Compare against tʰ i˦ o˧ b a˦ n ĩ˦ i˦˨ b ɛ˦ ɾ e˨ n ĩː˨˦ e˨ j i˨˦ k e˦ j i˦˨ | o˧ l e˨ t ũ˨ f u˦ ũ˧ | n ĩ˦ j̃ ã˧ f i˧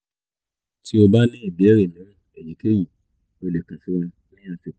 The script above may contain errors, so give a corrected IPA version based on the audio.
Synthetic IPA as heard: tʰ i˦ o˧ b a˦ n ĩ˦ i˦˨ b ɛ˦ ɾ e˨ n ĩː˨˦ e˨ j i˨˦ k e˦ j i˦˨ | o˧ l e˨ k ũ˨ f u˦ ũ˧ | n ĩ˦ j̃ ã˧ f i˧